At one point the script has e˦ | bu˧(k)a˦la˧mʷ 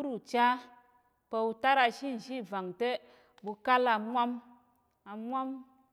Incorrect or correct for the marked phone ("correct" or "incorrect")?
correct